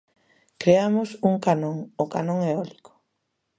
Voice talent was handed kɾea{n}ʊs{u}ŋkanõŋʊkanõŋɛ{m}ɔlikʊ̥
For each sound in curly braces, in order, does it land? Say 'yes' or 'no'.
no, yes, no

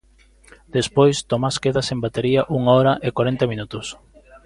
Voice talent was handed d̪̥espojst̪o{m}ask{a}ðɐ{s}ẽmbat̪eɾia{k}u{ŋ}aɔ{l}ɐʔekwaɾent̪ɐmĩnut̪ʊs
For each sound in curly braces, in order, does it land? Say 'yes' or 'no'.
yes, no, yes, no, yes, no

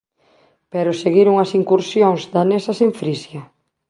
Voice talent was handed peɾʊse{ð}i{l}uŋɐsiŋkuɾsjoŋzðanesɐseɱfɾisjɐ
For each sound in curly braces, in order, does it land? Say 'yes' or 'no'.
no, no

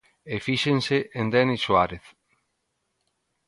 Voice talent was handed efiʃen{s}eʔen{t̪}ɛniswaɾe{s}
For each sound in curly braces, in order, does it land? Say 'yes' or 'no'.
yes, no, no

